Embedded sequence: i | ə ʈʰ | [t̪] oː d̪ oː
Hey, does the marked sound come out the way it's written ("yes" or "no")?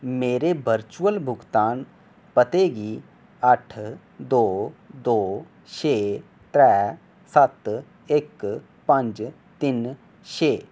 no